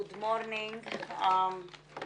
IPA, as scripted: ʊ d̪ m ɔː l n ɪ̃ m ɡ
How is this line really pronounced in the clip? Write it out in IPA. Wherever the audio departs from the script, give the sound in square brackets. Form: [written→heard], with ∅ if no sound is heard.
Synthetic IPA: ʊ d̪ m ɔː [l→ɾ] n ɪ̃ [m→ŋ] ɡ